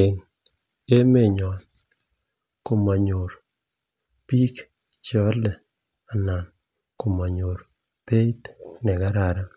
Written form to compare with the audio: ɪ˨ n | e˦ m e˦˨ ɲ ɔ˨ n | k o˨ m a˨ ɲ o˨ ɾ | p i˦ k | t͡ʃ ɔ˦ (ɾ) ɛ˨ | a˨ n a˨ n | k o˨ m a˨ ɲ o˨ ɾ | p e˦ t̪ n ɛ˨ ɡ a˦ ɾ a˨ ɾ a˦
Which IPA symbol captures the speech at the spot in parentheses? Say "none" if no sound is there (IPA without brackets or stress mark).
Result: l